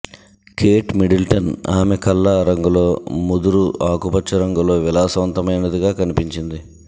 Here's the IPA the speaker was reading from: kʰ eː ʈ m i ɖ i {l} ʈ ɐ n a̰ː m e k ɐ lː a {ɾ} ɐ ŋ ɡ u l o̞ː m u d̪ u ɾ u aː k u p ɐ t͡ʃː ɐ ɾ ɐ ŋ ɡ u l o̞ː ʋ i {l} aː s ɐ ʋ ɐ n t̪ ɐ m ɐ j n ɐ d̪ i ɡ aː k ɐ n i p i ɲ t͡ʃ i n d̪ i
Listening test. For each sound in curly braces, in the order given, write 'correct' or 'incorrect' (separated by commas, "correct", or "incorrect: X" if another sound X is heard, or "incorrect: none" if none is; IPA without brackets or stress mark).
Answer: correct, correct, correct